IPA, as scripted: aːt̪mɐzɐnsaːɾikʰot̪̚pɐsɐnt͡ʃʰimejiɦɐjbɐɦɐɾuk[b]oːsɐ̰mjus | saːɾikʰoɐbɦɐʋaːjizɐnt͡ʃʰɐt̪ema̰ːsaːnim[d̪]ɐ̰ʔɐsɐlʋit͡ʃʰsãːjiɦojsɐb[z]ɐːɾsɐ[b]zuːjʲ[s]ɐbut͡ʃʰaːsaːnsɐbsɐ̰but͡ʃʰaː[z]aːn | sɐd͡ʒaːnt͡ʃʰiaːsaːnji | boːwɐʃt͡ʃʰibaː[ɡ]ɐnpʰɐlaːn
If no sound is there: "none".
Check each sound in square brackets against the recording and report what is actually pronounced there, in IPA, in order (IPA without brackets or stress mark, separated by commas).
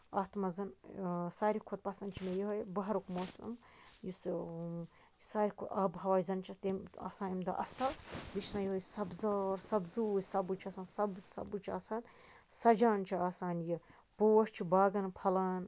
m, d̪, z, b, s, s, ɡ